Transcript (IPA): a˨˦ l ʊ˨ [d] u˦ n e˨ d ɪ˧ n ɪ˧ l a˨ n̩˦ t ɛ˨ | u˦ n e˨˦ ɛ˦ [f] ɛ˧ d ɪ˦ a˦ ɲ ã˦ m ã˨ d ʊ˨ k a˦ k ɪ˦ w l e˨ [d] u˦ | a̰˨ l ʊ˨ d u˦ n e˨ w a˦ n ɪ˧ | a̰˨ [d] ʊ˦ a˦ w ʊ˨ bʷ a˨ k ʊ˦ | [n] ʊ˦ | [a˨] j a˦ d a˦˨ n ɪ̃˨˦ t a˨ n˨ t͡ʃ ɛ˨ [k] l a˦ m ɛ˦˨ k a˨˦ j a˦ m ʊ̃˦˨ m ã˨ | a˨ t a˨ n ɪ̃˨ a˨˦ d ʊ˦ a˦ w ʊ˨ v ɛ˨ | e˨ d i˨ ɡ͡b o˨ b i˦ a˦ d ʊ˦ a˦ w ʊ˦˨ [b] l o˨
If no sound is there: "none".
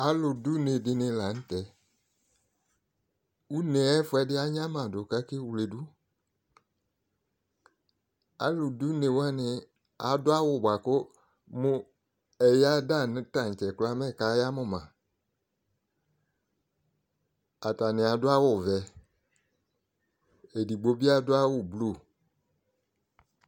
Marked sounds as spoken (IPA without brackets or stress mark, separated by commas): d, f, d, d, m, ɛ˨, k, b